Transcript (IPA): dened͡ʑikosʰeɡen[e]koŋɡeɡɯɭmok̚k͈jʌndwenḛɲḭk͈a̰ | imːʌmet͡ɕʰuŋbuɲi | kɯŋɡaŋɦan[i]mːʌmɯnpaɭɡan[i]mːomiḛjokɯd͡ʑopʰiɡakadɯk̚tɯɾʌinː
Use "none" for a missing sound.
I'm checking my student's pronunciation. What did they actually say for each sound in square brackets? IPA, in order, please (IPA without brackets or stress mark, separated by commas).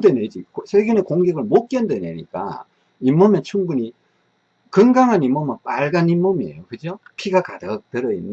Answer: e, i, i